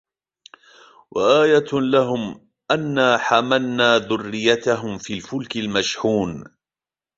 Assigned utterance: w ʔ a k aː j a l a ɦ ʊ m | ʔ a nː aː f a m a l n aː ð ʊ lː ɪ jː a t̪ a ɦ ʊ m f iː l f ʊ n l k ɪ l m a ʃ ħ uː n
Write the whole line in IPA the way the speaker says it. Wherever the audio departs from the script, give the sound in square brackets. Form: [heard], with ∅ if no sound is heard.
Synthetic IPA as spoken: w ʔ a [ʔ] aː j a l a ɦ ʊ m | ʔ a nː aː [ħ] a m a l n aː ð ʊ [rː] ɪ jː a t̪ a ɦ ʊ m f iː l f ʊ [∅] l k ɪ l m a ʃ ħ uː n